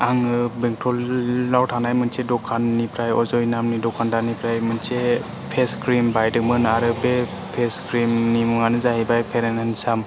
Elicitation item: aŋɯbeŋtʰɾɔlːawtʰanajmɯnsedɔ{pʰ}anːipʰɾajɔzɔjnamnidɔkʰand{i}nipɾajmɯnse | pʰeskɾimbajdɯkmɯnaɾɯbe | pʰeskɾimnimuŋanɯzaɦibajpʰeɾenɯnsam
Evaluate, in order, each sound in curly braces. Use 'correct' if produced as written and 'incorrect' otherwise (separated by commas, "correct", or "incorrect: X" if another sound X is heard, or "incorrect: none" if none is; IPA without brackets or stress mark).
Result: incorrect: kʰ, incorrect: a